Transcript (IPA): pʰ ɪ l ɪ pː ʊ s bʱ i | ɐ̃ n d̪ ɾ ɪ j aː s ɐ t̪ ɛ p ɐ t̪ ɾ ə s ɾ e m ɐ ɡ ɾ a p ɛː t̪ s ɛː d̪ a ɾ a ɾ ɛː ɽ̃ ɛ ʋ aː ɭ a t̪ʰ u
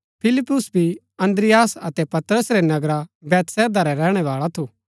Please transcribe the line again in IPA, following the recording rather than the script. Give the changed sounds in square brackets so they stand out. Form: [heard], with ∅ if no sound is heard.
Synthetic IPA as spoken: pʰ ɪ l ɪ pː ʊ s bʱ i | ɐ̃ n d̪ ɾ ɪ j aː s ɐ t̪ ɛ p ɐ t̪ ɾ ə s ɾ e [n] ɐ ɡ ɾ a [b] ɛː t̪ s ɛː d̪ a ɾ [ɛ] ɾ ɛː ɽ̃ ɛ ʋ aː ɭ a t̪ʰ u